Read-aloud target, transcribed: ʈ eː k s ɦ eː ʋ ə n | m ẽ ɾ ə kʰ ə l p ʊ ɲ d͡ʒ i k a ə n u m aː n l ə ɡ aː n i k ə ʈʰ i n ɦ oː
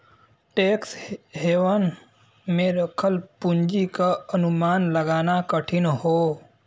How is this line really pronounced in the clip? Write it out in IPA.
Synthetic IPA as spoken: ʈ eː k s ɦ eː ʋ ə n | m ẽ ɾ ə kʰ ə l p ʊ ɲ d͡ʒ i k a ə n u m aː n l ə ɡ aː n a k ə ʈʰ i n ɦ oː